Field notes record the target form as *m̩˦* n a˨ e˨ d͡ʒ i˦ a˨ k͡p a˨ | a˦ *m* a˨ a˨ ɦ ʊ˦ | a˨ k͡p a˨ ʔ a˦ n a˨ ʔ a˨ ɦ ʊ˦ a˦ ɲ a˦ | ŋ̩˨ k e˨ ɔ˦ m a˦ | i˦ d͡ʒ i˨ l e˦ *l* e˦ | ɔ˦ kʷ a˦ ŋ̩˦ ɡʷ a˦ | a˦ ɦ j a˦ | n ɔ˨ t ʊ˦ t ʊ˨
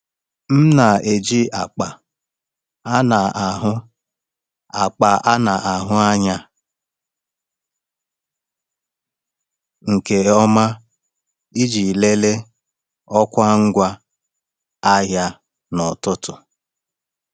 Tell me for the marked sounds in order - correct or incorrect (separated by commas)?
correct, incorrect, correct